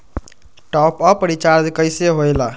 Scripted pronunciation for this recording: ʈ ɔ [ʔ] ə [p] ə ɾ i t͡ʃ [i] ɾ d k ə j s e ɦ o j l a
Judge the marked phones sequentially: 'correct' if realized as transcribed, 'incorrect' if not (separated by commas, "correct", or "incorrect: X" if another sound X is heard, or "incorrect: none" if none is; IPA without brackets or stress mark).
incorrect: p, correct, incorrect: a